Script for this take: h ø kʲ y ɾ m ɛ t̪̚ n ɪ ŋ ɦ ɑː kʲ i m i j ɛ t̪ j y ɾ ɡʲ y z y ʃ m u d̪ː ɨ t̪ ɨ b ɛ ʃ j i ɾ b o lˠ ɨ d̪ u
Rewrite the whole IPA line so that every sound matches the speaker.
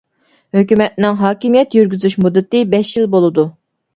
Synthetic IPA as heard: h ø kʲ y m ɛ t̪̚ n ɪ ŋ ɦ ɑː kʲ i m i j ɛ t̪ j y ɾ ɡʲ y z y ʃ m u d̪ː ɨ t̪ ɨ b ɛ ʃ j i l b o lˠ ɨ d̪ u